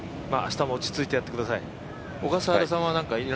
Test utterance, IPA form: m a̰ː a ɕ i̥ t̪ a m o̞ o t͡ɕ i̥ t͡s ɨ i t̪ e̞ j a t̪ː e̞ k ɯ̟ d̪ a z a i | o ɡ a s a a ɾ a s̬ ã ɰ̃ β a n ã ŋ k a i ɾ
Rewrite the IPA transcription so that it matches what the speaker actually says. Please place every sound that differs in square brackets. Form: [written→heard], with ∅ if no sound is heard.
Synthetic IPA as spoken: m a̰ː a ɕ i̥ t̪ a m o̞ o t͡ɕ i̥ t͡s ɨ i t̪ e̞ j a t̪ː e̞ k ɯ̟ d̪ a [z→s] a i | o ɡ a s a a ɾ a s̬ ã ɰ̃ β a n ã ŋ k a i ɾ